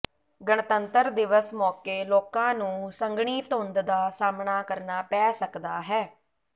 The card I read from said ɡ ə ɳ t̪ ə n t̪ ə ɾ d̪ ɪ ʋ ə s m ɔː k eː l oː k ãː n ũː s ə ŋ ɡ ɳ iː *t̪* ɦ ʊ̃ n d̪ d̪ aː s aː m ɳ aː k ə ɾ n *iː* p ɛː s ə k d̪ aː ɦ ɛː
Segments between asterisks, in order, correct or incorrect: correct, incorrect: aː

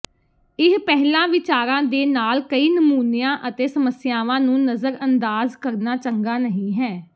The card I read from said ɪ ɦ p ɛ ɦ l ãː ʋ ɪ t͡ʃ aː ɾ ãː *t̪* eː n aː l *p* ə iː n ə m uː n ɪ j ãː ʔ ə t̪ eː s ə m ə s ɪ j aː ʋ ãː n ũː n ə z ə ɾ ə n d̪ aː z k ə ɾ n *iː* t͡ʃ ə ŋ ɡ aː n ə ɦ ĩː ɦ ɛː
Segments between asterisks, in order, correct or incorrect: incorrect: d̪, incorrect: k, incorrect: aː

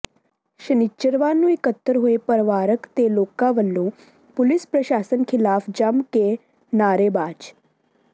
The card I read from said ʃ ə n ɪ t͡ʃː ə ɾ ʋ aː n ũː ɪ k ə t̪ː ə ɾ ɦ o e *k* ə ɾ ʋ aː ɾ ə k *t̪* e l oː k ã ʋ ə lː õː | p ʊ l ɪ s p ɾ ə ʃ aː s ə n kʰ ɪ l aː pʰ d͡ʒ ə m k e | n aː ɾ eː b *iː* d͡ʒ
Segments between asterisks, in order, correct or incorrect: incorrect: p, correct, incorrect: aː

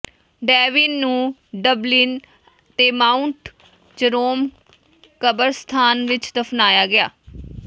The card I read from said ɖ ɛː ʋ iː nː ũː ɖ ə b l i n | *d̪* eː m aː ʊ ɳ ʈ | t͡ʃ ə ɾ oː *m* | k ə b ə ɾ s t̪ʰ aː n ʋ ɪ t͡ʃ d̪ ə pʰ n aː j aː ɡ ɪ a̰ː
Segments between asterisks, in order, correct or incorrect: incorrect: t̪, correct

